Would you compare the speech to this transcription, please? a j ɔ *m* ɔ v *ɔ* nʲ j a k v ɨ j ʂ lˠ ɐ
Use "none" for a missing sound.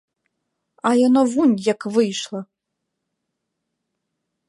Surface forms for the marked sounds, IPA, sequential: n, u

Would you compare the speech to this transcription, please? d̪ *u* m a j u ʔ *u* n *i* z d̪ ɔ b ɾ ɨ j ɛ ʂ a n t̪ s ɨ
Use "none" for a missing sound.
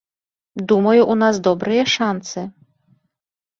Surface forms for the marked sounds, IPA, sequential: u, u, a

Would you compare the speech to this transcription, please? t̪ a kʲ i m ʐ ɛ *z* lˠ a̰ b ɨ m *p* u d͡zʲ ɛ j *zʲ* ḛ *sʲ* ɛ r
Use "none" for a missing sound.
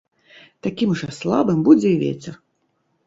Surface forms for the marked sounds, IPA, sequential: s, b, vʲ, t͡sʲ

